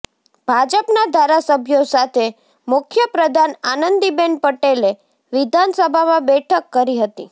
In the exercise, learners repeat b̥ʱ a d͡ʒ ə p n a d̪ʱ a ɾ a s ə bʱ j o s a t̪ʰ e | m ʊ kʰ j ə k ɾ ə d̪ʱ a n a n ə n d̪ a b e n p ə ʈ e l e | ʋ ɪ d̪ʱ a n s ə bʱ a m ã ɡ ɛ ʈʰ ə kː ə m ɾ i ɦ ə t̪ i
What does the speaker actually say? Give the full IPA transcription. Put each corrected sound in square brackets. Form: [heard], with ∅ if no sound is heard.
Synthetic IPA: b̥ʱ a d͡ʒ ə p n a d̪ʱ a ɾ a s ə bʱ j o s a t̪ʰ e | m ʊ kʰ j ə [p] ɾ ə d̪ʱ a n a n ə n d̪ [i] b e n p ə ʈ e l e | ʋ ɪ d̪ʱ a n s ə bʱ a m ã [b] ɛ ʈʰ ə kː ə [∅] ɾ i ɦ ə t̪ i

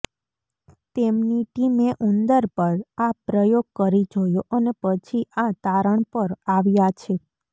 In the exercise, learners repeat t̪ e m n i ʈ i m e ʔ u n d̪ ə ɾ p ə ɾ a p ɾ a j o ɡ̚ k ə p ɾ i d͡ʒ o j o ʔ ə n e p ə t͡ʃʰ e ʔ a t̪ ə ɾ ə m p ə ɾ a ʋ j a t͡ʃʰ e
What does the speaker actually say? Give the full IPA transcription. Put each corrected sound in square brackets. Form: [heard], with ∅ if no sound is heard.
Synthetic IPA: t̪ e m n i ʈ i m e ʔ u n d̪ ə ɾ p ə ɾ a p ɾ [ə] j o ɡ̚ k ə [∅] ɾ i d͡ʒ o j o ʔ ə n e p ə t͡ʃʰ [i] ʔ a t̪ [a] ɾ ə [ɳ] p ə ɾ a ʋ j a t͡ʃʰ e

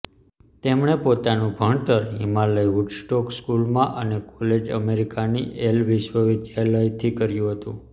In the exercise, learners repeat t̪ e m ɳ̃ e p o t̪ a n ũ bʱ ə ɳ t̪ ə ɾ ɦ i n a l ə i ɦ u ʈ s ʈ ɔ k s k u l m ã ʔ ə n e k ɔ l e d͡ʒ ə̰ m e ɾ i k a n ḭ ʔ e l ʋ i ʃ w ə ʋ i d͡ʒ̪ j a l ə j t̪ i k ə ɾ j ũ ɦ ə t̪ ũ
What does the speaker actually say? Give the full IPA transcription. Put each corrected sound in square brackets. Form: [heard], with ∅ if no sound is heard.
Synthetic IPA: t̪ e m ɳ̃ e p o t̪ a n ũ bʱ ə ɳ t̪ ə ɾ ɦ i [m] a l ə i ɦ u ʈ s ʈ ɔ k s k u l m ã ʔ ə n e k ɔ l e d͡ʒ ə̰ m e ɾ i k a n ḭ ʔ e l ʋ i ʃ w ə ʋ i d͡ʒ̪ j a l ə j [t̪ʰ] i k ə ɾ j ũ ɦ ə t̪ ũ

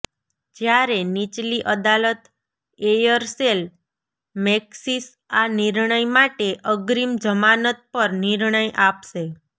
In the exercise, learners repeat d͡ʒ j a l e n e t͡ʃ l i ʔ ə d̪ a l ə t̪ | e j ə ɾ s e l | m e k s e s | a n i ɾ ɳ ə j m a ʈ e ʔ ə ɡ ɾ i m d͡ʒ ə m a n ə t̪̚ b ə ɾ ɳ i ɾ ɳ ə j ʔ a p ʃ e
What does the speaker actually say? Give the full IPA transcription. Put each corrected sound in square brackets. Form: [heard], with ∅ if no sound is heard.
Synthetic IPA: d͡ʒ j a [ɾ] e n [i] t͡ʃ l i ʔ ə d̪ a l ə t̪ | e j ə ɾ s e l | m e k s [i] s | a n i ɾ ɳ ə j m a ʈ e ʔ ə ɡ ɾ i m d͡ʒ ə m a n ə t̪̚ [p] ə ɾ [n] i ɾ ɳ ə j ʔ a p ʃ e

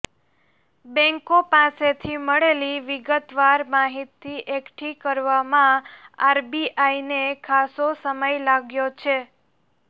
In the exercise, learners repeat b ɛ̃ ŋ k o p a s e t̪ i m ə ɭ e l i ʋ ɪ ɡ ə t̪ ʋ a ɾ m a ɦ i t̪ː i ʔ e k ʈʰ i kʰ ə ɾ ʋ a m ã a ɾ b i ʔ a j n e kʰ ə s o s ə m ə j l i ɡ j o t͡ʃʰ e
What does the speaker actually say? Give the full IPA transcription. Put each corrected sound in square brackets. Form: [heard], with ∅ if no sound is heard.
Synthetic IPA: b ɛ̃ ŋ k o p a s e [t̪ʰ] i m ə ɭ e l i ʋ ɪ ɡ ə t̪ ʋ a ɾ m a ɦ i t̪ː i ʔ e k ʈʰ i [k] ə ɾ ʋ a m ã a ɾ b i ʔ a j n e kʰ [a] s o s ə m ə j l [a] ɡ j o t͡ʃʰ e

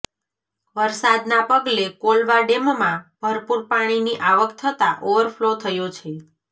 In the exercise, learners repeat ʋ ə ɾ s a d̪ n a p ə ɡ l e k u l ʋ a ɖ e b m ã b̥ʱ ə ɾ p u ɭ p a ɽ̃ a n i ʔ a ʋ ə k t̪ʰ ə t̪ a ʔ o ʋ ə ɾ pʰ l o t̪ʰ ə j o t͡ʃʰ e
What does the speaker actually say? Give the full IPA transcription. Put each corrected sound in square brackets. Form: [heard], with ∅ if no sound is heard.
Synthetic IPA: ʋ ə ɾ s a d̪ n a p ə ɡ l e k [o] l ʋ a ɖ e [m] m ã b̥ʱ ə ɾ p u [ɾ] p a ɽ̃ [i] n i ʔ a ʋ ə k t̪ʰ ə t̪ a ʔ o ʋ ə ɾ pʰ l o t̪ʰ ə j o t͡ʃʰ e

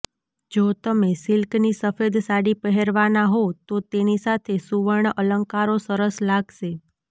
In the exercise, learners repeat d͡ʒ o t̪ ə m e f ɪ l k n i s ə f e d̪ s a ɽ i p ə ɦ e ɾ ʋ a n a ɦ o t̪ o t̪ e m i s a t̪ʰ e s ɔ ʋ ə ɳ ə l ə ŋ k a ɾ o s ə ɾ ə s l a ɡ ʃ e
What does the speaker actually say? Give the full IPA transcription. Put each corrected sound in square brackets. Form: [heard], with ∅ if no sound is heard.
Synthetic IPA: d͡ʒ o t̪ ə m e [s] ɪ l k n i s ə f e d̪ s a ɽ i p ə ɦ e ɾ ʋ a n a ɦ o t̪ o t̪ e [n] i s a t̪ʰ e s [u] ʋ ə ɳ ə l ə ŋ k a ɾ o s ə ɾ ə s l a ɡ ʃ e

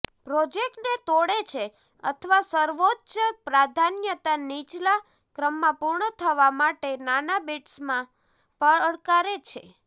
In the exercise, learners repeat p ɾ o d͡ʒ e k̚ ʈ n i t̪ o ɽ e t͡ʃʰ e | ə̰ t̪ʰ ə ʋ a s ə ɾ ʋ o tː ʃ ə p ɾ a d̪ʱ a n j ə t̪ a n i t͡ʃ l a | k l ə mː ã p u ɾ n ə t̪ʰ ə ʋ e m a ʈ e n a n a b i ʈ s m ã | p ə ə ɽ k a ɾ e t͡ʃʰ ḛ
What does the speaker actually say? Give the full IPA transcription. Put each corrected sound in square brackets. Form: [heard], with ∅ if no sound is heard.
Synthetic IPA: p ɾ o d͡ʒ e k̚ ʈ n [e] t̪ o ɽ e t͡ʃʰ e | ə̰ t̪ʰ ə ʋ a s ə ɾ ʋ o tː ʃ ə p ɾ a d̪ʱ a n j ə t̪ a n i t͡ʃ l a | k [ɾ] ə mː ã p u ɾ [ɳ] ə t̪ʰ ə ʋ [a] m a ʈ e n a n a b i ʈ s m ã | p ə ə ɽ k a ɾ e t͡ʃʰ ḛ

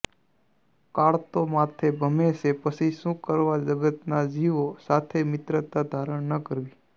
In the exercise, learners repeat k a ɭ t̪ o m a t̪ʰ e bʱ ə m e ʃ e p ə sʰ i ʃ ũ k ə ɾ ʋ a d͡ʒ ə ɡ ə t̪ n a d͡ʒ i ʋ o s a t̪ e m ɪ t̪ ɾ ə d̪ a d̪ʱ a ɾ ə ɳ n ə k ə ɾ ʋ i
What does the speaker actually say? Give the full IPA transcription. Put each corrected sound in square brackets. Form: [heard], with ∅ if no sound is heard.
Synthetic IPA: k a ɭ t̪ o m a t̪ʰ e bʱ ə m e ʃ e p ə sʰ i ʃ ũ k ə ɾ ʋ a d͡ʒ ə ɡ ə t̪ n a d͡ʒ i ʋ o s a [t̪ʰ] e m ɪ t̪ ɾ ə [t̪] a d̪ʱ a ɾ ə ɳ n ə k ə ɾ ʋ i

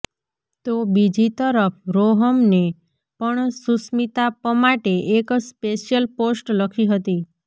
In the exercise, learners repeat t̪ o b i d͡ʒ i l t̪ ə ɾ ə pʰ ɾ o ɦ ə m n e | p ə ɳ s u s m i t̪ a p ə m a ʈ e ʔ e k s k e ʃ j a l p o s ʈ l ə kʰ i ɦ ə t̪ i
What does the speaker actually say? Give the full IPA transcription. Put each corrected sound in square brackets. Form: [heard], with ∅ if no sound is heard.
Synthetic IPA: t̪ o b i d͡ʒ i [∅] t̪ ə ɾ ə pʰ ɾ o ɦ ə m n e | p ə ɳ s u s m i t̪ a p ə m a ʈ e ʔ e k s [p] e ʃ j [ə] l p o s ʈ l ə kʰ i ɦ ə t̪ i

